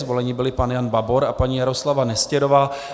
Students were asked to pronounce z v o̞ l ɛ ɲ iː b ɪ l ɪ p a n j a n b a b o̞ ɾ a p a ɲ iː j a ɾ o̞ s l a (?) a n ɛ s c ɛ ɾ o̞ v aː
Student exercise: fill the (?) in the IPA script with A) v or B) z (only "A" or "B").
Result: A